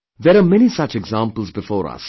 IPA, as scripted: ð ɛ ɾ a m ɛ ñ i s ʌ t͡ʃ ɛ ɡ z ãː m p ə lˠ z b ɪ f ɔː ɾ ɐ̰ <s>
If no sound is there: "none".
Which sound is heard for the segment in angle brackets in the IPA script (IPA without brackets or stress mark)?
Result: s